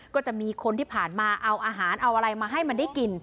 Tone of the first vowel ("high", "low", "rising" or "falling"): falling